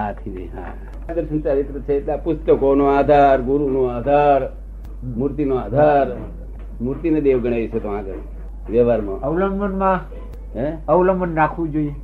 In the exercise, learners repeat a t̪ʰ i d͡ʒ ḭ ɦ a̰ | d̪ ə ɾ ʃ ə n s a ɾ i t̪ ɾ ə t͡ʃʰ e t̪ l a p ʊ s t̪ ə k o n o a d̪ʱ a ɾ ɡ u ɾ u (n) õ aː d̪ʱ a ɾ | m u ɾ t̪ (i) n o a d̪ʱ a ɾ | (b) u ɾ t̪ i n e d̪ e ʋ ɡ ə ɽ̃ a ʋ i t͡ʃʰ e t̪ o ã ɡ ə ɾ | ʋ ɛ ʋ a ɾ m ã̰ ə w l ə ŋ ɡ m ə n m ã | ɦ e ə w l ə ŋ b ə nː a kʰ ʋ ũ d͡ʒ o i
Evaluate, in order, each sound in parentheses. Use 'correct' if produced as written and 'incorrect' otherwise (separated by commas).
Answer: correct, correct, incorrect